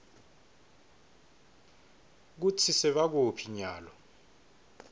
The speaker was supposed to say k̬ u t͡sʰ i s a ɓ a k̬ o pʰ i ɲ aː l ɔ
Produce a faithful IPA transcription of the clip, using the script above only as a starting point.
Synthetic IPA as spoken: k̬ u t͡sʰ i s ɛ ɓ a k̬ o pʰ i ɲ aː l ɔ